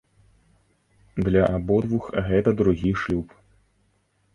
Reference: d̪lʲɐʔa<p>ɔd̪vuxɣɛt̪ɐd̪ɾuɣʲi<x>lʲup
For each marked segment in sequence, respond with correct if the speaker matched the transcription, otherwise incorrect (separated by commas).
incorrect, incorrect